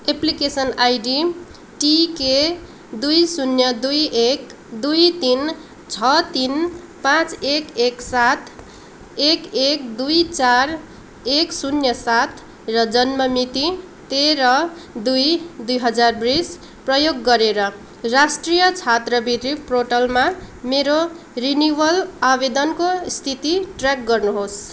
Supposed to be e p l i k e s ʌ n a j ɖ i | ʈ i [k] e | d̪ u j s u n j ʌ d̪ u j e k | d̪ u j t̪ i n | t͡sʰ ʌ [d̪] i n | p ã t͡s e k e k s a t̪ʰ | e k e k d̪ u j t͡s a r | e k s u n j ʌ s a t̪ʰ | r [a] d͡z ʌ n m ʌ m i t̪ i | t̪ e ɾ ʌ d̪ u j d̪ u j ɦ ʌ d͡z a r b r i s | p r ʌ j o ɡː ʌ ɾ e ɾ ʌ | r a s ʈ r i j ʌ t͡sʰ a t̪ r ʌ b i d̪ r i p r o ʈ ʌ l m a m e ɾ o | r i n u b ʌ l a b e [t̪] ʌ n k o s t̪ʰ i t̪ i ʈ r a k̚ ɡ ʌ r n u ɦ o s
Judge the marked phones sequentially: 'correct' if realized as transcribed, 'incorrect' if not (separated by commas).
correct, incorrect, incorrect, incorrect